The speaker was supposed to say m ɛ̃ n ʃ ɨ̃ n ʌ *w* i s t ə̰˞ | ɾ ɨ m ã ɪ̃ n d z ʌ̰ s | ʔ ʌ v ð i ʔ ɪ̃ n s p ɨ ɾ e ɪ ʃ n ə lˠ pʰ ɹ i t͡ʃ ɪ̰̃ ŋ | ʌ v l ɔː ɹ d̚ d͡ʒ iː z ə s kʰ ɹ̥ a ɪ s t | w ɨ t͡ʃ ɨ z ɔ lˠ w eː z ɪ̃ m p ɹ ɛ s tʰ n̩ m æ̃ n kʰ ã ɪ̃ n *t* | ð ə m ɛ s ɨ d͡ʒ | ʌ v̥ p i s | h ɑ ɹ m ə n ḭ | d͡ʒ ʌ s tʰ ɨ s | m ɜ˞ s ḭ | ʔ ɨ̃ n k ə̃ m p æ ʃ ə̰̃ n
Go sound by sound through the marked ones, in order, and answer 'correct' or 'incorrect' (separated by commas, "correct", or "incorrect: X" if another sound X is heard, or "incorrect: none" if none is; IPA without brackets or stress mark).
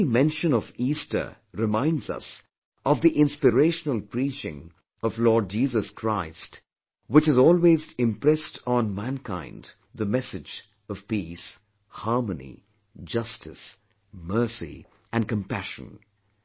incorrect: v, incorrect: d